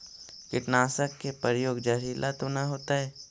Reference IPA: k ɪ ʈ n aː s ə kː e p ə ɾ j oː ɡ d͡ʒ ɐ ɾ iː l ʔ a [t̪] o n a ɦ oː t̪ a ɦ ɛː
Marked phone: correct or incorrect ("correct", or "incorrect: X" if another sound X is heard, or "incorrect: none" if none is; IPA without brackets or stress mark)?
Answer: correct